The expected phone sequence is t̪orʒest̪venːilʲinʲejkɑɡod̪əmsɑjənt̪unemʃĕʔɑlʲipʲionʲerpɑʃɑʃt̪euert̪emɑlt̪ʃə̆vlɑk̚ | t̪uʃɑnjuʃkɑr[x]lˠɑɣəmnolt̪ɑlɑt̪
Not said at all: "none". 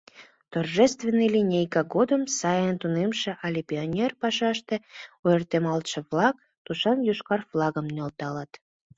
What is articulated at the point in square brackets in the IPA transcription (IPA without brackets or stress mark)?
f